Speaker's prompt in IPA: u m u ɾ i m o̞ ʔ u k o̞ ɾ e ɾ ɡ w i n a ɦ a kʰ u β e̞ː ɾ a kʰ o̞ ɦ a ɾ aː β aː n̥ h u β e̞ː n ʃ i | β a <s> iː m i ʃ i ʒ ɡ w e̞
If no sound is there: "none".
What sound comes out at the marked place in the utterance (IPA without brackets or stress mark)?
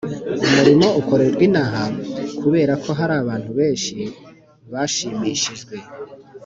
ʃ